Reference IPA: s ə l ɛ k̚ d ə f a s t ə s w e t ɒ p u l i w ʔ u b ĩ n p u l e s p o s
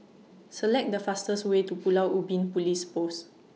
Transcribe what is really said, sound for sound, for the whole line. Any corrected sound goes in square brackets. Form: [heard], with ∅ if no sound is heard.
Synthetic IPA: s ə l ɛ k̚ d ə f a s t ə s w e t [u] p u l [a] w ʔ u b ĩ n p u l [i] s p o s